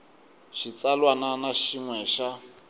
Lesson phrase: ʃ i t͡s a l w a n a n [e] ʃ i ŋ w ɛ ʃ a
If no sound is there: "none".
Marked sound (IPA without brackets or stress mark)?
a